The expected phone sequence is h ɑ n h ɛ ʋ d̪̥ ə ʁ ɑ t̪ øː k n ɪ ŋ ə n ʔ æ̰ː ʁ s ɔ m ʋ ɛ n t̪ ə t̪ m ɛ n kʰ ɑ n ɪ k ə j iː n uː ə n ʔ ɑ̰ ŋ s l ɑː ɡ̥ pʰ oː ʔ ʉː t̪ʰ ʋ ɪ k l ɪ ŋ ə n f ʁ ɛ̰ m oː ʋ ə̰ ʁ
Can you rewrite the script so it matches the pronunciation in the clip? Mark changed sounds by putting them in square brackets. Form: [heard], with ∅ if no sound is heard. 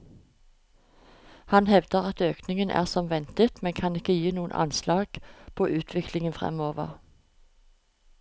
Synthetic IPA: h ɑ n h ɛ ʋ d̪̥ ə ʁ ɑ t̪ øː k n ɪ ŋ ə n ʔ æ̰ː ʁ s ɔ m ʋ ɛ n t̪ ə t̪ m ɛ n kʰ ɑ n ɪ k ə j iː n uː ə n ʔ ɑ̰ [n] s l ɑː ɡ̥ pʰ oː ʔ ʉː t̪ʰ ʋ ɪ k l ɪ ŋ ə n f ʁ ɛ̰ m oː ʋ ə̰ ʁ